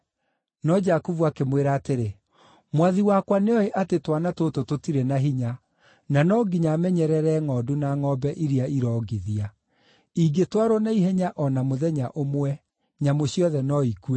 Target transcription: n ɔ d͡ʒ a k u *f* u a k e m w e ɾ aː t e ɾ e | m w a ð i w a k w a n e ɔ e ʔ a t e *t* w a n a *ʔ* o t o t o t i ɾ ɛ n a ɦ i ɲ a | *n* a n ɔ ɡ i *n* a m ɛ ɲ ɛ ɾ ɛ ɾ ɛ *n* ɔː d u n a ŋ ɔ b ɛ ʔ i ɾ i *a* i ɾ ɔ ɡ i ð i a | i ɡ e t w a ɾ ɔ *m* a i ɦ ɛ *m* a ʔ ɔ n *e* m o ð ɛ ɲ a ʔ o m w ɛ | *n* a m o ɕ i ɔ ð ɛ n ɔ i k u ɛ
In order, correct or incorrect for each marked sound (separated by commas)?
incorrect, correct, incorrect, correct, incorrect, incorrect, correct, incorrect, incorrect, incorrect, incorrect